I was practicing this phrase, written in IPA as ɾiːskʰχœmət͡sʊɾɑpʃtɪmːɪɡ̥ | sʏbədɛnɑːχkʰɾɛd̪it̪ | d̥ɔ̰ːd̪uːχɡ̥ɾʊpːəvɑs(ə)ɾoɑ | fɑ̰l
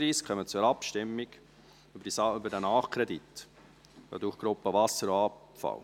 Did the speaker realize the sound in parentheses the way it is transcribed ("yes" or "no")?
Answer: yes